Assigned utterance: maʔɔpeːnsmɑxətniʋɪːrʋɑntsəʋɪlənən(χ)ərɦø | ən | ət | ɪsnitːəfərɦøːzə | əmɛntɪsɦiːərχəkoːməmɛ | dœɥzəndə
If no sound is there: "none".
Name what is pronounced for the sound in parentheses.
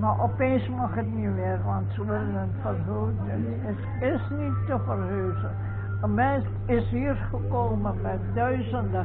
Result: f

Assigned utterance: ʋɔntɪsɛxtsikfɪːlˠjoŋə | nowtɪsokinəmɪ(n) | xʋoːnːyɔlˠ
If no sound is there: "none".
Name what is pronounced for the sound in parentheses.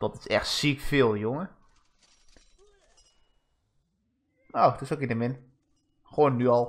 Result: n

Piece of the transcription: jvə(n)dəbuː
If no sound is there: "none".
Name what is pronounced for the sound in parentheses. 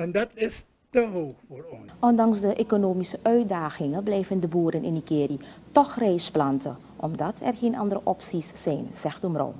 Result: n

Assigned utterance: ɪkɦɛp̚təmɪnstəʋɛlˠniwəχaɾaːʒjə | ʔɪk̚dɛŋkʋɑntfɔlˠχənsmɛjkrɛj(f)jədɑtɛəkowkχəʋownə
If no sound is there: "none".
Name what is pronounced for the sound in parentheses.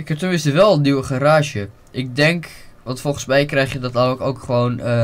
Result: χ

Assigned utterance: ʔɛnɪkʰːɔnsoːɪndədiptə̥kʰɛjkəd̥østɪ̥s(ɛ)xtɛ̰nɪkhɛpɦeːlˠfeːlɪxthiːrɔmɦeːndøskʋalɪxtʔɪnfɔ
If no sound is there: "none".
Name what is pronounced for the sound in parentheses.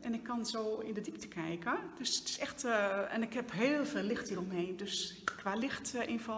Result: ɛ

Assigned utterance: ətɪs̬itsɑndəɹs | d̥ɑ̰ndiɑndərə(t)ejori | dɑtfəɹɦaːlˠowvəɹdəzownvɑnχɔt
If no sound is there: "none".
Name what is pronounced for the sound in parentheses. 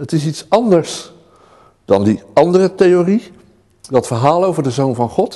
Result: t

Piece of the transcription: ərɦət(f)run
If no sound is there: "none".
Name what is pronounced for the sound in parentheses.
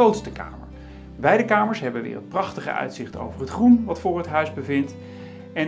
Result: χ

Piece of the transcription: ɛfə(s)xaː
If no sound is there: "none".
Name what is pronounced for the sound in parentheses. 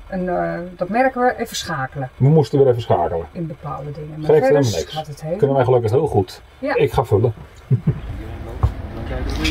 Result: s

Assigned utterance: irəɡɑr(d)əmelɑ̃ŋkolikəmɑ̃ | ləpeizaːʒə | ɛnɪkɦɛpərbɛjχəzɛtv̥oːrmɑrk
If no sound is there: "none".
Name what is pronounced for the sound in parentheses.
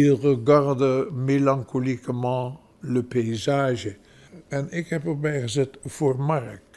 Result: d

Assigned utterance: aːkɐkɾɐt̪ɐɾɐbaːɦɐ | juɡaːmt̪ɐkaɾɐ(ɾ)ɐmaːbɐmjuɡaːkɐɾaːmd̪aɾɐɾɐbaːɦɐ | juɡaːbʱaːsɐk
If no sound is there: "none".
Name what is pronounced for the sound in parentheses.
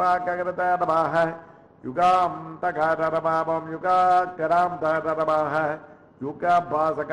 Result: ɾ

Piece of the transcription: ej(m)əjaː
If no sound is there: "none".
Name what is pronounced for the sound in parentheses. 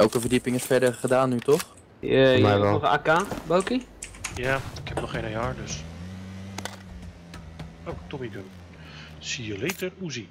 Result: n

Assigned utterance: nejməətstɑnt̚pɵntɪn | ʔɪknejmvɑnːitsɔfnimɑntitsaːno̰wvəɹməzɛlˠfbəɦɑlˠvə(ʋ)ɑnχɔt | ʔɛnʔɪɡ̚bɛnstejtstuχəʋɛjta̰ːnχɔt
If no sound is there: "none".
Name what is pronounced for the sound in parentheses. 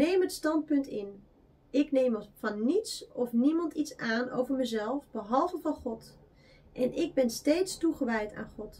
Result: v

